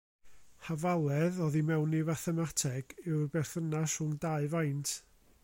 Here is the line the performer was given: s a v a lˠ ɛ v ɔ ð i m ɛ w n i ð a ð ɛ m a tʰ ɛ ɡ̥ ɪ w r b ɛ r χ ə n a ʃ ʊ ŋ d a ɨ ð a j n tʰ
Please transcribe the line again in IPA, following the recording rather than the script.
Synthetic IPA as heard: h a v a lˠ ɛ ð ɔ ð i m ɛ w n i v a θ ɛ m a tʰ ɛ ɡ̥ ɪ w r b ɛ r θ ə n a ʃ ʊ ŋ d a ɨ v a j n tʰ